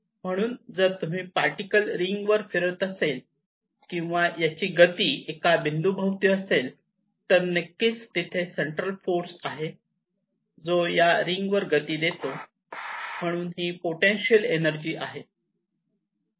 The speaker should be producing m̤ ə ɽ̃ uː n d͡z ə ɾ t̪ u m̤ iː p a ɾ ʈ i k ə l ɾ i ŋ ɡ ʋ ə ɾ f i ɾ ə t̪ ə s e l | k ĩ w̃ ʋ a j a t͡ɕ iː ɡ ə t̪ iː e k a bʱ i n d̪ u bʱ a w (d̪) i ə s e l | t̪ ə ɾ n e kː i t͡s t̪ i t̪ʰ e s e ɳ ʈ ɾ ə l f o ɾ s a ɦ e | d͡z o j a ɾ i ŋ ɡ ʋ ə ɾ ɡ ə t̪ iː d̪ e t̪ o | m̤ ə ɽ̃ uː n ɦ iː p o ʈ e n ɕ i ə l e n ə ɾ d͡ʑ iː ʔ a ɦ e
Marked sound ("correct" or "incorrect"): incorrect